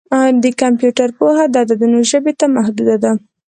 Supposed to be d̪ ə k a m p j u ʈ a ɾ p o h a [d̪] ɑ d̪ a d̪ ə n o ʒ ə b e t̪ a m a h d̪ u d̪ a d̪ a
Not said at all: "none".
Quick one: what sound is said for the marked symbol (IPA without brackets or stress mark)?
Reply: d̪